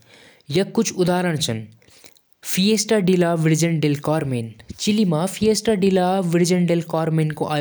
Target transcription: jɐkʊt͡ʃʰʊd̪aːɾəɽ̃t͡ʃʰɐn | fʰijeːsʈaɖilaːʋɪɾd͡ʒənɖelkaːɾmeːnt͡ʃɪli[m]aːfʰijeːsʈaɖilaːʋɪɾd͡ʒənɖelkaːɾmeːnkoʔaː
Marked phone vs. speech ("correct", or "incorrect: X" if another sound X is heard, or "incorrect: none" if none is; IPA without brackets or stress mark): correct